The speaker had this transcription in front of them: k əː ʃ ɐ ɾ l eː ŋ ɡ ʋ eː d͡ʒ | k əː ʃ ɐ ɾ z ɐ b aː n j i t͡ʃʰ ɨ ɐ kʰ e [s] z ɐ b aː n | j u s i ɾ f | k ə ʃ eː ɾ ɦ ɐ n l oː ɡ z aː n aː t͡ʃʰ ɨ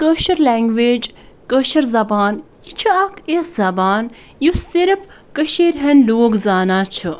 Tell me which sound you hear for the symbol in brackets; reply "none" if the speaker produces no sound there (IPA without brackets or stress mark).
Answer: s